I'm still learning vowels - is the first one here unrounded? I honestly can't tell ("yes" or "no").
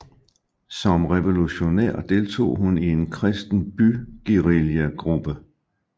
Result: no